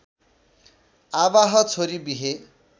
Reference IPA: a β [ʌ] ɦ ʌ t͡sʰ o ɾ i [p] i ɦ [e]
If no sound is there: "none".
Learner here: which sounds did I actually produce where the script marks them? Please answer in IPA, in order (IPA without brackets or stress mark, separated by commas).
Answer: a, b, e